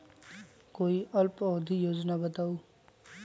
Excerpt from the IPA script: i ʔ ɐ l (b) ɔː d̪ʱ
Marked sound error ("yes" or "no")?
yes